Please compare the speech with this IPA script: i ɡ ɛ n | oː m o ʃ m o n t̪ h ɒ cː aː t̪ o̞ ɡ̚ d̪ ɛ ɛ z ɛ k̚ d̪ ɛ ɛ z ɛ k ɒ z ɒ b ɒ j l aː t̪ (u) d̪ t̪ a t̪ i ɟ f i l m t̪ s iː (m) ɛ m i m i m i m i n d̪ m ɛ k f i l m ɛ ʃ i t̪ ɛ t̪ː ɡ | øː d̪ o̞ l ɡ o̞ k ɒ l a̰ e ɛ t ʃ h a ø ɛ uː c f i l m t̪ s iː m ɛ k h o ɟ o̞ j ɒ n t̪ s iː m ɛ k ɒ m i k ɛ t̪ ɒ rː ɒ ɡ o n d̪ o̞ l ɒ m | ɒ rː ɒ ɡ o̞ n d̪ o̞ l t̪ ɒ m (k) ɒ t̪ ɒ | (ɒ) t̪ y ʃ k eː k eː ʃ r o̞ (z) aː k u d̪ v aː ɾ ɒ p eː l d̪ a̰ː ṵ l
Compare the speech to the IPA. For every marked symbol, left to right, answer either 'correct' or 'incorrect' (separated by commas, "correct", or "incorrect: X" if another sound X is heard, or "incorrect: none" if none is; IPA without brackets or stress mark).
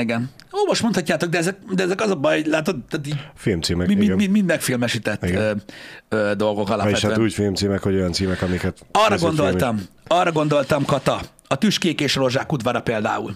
incorrect: o, correct, correct, correct, incorrect: ʒ